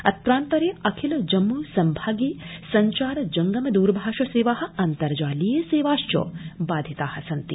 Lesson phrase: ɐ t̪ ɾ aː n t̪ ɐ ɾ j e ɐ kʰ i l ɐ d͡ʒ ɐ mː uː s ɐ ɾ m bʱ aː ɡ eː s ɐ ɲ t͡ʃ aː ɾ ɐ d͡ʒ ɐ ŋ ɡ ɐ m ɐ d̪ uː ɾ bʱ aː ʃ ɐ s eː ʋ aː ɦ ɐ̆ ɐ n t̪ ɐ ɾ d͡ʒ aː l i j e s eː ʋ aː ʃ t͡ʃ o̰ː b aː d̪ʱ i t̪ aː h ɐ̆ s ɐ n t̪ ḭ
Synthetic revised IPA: ɐ t̪ ɾ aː n t̪ ɐ ɾ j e ɐ kʰ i l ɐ d͡ʒ ɐ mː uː s ɐ m bʱ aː ɡ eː s ɐ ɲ t͡ʃ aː ɾ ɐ d͡ʒ ɐ ŋ ɡ ɐ m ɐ d̪ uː ɾ bʱ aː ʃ ɐ s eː ʋ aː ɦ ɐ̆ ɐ n t̪ ɐ ɾ d͡ʒ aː l i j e s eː ʋ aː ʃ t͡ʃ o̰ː b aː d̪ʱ i t̪ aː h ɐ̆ s ɐ n t̪ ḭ